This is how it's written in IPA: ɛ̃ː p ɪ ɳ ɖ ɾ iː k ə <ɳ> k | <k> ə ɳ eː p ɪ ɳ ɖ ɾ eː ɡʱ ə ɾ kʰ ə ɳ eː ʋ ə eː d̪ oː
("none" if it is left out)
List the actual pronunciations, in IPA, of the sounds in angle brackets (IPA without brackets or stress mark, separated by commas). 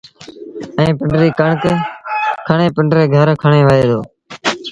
ɳ, kʰ